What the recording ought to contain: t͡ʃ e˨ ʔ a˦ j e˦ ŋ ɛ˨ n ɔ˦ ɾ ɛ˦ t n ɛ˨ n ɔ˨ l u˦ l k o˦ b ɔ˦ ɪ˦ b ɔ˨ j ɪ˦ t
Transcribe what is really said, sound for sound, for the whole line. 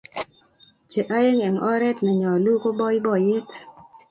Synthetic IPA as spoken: t͡ʃ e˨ ʔ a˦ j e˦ ŋ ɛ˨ ŋ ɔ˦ ɾ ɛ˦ t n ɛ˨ ɲ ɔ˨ l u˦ k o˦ b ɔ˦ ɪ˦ b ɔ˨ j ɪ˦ t